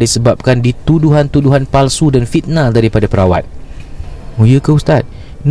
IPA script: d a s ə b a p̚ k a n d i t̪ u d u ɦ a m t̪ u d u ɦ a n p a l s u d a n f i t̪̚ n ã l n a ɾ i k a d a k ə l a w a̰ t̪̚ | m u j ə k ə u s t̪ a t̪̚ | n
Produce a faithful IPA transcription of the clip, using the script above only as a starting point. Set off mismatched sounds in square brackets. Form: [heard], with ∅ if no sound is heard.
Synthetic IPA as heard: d [i] s ə b a p̚ k a n d i t̪ u d u ɦ a [n] t̪ u d u ɦ a n p a l s u d a n f i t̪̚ n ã l [d] a ɾ i [p] a d a [p] ə [ɾ] a w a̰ t̪̚ | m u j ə k ə u s t̪ a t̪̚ | n